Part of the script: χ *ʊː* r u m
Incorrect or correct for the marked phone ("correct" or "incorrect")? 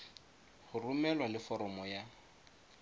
incorrect